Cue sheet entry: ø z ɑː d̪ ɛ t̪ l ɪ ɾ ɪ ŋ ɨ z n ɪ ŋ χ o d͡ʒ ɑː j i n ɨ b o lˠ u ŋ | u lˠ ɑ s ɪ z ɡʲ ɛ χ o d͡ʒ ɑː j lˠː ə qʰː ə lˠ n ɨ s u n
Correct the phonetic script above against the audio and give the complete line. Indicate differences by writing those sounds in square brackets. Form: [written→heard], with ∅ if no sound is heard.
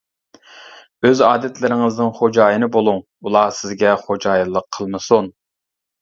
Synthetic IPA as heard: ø z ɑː d̪ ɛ t̪ l ɪ ɾ ɪ ŋ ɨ z n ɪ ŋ χ o d͡ʒ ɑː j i n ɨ b o lˠ u ŋ | u lˠ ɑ s ɪ z ɡʲ ɛ χ o d͡ʒ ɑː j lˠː ə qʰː ə lˠ [n→m] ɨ s u n